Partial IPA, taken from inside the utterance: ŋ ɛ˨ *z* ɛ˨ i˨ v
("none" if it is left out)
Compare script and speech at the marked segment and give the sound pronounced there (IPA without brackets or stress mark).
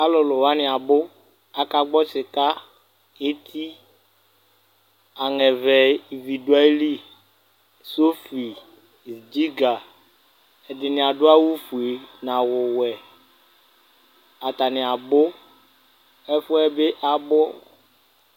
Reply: v